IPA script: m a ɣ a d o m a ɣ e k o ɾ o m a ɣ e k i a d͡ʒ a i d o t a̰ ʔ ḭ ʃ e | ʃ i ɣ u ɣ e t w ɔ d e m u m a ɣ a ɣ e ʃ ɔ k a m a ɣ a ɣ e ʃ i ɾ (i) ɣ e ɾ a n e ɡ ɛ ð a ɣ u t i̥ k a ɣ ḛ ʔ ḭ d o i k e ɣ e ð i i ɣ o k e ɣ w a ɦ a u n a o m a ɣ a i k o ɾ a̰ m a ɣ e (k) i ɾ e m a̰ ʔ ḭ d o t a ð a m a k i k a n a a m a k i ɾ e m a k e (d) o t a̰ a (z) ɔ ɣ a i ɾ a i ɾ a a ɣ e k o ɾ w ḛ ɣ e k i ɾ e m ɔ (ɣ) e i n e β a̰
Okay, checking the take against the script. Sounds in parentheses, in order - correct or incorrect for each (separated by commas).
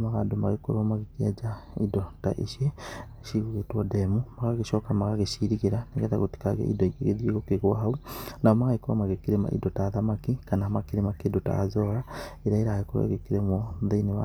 correct, correct, correct, correct, incorrect